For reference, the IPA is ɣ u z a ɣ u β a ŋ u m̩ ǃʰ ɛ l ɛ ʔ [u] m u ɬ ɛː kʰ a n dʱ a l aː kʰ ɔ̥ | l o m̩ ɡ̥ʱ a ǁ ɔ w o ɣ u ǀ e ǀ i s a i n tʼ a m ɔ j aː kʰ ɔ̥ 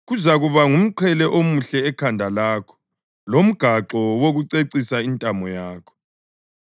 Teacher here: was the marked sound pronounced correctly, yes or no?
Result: no